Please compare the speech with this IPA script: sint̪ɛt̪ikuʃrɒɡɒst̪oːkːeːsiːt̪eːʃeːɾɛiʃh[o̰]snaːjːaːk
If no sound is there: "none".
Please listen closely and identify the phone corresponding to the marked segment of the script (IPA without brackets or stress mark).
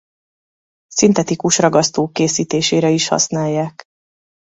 ɒ̰